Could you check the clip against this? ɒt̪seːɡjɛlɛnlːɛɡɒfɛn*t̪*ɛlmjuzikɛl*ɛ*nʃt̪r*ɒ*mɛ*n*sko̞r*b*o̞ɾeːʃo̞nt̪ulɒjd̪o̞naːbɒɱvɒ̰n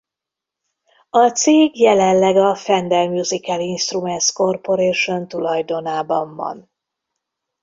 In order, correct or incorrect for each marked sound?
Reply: incorrect, incorrect, incorrect, correct, incorrect

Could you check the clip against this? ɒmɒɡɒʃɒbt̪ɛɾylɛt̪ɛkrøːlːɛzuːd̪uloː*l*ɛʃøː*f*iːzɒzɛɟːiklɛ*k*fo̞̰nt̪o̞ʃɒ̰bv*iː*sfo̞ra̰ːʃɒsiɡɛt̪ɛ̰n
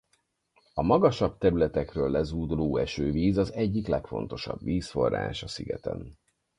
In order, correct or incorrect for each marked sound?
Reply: incorrect, incorrect, correct, correct

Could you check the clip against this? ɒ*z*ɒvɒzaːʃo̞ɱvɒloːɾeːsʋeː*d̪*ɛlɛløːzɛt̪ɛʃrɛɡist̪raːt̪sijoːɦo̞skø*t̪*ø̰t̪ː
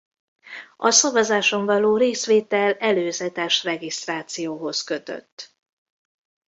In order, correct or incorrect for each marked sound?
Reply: incorrect, incorrect, correct

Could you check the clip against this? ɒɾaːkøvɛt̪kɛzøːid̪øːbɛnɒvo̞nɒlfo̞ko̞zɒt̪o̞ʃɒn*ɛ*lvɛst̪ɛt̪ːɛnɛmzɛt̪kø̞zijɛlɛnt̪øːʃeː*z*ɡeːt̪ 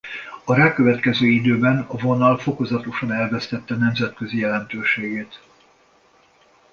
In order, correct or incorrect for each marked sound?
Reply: correct, incorrect

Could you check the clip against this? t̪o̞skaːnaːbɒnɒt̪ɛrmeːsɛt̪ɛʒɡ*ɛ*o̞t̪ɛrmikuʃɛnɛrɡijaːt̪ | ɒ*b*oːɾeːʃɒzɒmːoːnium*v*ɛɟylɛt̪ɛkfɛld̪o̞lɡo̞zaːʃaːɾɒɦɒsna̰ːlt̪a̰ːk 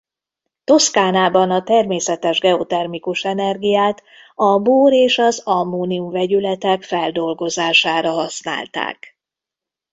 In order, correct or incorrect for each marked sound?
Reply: correct, correct, correct

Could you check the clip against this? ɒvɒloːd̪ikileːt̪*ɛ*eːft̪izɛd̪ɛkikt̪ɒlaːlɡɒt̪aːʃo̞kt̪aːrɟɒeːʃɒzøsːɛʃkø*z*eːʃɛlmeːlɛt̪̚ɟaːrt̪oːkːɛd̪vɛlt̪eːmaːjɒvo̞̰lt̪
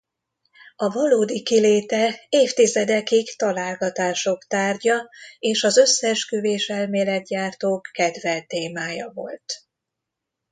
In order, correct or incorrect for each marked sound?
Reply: correct, incorrect

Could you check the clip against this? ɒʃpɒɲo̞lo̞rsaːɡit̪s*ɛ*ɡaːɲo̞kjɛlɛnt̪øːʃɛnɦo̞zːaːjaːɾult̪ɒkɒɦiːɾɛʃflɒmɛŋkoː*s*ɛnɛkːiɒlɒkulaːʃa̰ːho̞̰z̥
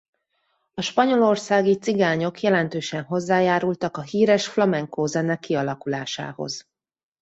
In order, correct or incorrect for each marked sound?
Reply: incorrect, incorrect

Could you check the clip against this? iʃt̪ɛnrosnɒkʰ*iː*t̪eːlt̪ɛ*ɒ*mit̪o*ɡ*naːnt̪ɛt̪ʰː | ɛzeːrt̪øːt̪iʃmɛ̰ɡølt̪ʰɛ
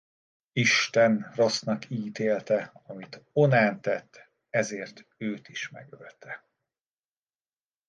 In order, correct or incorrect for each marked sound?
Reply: correct, correct, incorrect

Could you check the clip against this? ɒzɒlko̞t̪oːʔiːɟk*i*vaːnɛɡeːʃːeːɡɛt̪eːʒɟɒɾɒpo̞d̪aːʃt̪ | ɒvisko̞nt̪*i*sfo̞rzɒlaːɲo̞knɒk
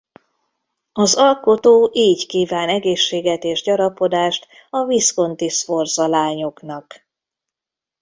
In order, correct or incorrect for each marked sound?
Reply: incorrect, correct

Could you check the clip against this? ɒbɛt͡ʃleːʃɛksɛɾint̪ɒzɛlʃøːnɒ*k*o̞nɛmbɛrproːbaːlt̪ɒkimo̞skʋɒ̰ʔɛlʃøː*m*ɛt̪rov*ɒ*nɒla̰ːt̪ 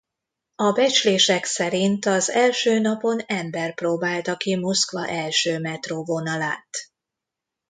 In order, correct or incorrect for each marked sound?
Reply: incorrect, correct, incorrect

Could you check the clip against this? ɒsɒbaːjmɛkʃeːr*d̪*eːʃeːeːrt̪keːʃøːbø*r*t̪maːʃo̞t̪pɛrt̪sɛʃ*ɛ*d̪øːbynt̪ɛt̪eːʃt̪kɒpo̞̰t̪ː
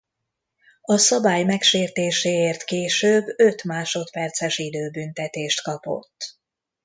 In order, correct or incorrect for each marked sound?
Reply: incorrect, incorrect, incorrect

